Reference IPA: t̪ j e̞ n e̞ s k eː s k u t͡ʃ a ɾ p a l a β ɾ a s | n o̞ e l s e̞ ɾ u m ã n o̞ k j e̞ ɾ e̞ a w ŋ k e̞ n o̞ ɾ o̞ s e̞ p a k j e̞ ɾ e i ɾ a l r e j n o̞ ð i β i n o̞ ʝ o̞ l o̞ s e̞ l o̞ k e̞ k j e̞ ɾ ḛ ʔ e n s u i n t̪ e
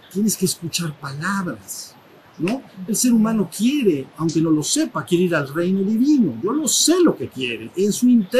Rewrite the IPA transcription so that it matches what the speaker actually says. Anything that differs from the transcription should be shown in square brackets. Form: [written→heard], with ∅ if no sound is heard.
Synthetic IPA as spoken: t̪ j e̞ n e̞ s k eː s k u t͡ʃ a ɾ p a l a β ɾ a s | n o̞ e l s e̞ ɾ u m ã n o̞ k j e̞ ɾ e̞ a w ŋ k e̞ n o̞ [ɾ→l] o̞ s e̞ p a k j e̞ ɾ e i ɾ a l r e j n o̞ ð i β i n o̞ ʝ o̞ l o̞ s e̞ l o̞ k e̞ k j e̞ ɾ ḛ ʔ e n s u i n t̪ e